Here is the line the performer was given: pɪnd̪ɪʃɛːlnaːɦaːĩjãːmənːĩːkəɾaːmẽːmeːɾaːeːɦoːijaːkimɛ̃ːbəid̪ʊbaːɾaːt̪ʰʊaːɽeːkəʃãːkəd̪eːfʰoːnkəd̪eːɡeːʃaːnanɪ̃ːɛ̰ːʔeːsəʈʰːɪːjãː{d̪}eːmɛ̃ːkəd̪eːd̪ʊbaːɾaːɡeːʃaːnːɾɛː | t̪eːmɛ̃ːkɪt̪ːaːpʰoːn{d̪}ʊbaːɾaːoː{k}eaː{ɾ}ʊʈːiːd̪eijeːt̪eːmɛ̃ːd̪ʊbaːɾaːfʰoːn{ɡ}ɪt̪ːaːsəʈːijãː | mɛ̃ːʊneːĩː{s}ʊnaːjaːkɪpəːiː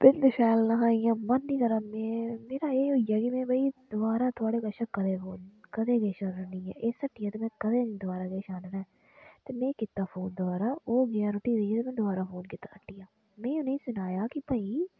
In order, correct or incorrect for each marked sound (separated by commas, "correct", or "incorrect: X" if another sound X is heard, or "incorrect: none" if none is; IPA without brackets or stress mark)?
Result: incorrect: t̪, correct, incorrect: ɡ, correct, incorrect: k, correct